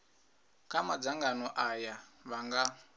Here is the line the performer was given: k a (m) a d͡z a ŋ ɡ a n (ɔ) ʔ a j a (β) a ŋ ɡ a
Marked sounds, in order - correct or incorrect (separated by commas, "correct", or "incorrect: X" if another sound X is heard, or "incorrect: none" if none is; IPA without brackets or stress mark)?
correct, correct, correct